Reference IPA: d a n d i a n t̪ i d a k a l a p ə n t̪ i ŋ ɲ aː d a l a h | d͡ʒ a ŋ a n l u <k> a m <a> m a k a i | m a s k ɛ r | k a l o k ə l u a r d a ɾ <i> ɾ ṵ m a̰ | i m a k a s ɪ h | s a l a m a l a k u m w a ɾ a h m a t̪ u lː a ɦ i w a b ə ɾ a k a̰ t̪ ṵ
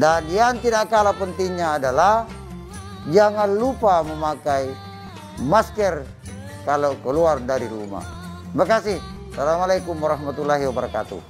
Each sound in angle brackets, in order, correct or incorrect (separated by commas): incorrect, incorrect, correct